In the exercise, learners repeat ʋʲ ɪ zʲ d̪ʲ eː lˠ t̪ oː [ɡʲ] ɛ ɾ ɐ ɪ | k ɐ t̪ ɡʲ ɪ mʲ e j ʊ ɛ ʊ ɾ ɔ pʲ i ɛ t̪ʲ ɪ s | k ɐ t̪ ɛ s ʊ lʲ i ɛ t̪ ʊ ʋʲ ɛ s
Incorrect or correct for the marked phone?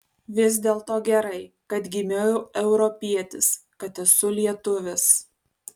correct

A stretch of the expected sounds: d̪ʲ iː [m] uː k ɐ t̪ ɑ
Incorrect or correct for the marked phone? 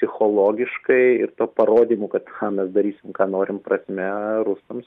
correct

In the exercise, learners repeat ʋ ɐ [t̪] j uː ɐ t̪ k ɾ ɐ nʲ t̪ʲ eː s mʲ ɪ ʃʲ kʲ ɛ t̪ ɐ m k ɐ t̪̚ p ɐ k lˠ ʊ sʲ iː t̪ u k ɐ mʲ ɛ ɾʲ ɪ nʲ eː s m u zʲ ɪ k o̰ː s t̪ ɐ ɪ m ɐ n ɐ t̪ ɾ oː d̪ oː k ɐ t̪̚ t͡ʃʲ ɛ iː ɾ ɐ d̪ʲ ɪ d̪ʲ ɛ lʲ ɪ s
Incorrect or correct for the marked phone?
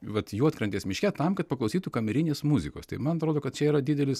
correct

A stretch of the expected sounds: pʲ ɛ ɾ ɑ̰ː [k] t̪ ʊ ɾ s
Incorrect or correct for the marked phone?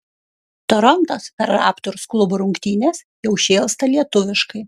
incorrect: p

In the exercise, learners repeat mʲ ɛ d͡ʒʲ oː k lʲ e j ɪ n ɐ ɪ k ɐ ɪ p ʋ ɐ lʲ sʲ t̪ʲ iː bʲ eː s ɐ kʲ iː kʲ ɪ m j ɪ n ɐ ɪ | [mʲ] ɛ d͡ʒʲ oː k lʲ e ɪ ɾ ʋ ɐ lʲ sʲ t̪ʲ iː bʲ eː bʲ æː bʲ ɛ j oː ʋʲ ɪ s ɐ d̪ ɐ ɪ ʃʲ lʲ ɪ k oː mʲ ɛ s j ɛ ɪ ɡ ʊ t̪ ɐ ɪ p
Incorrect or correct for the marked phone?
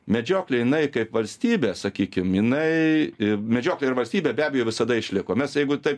correct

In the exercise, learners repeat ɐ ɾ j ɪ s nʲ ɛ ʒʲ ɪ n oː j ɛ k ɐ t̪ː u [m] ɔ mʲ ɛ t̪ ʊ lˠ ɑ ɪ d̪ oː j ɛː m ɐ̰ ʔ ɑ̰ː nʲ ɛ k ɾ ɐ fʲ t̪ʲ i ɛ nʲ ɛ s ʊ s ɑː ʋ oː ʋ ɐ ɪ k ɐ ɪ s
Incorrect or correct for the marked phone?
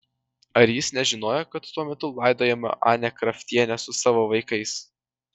incorrect: none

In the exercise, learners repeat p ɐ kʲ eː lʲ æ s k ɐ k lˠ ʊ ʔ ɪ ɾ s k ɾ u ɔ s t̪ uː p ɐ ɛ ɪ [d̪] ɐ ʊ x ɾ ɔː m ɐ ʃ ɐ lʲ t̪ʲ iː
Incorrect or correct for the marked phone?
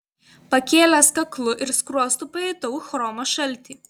incorrect: t̪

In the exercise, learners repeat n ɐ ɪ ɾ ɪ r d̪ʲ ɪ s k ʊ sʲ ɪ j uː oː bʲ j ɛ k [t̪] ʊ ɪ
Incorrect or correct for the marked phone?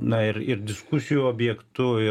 correct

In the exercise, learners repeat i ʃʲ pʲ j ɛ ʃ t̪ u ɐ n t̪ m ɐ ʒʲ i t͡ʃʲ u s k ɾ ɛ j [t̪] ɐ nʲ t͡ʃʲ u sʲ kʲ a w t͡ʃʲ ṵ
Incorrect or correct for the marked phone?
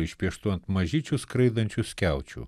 incorrect: d̪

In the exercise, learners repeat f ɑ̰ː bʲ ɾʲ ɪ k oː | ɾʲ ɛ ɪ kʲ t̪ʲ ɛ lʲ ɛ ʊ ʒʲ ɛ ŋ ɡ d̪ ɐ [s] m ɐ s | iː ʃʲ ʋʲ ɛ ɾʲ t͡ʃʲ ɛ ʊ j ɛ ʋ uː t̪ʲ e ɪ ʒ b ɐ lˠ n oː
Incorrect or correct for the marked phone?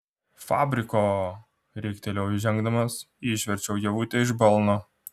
incorrect: none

